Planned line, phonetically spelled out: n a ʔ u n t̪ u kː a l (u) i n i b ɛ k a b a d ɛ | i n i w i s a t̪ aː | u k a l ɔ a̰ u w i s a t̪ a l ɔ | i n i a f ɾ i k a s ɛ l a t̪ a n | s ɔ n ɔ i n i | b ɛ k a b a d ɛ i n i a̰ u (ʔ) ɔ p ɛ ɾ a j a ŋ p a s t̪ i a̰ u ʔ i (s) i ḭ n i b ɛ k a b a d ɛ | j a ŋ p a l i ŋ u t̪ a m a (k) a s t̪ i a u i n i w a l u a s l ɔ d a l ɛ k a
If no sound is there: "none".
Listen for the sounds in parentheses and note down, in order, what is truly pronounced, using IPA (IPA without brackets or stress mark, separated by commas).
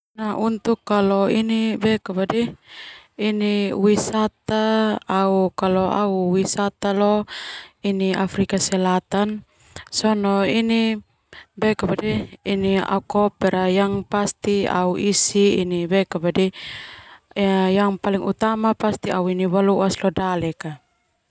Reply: ɔ, k, s, p